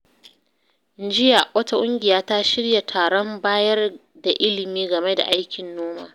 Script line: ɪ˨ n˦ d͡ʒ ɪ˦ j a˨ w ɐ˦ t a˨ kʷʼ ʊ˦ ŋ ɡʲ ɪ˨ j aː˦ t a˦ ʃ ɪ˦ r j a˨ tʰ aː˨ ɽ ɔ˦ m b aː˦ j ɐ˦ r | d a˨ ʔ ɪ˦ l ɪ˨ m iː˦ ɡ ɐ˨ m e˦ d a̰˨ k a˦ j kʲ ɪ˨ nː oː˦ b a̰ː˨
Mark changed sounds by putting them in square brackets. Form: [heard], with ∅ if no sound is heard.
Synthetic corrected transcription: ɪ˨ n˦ d͡ʒ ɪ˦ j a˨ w ɐ˦ t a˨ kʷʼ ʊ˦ ŋ ɡʲ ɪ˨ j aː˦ t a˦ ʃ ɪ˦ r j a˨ tʰ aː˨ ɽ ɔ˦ m b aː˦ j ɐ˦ r | d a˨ ʔ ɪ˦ l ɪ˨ m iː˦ ɡ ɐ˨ m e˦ d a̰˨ [ʔ] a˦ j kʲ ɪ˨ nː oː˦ [m] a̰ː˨